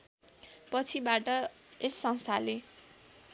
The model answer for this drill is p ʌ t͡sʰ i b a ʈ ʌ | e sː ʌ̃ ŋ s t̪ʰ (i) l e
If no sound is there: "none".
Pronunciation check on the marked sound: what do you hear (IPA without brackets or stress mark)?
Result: a